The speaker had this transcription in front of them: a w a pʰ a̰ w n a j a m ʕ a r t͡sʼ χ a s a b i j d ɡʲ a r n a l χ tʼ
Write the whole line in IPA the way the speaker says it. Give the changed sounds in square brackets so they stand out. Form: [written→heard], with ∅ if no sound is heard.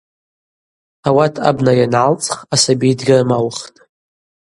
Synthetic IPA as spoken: a w a [pʰ→tʰ] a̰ [w→b] n a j a [m→n] ʕ a [r→l] t͡sʼ χ a s a b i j d ɡʲ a r [n→m] a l χ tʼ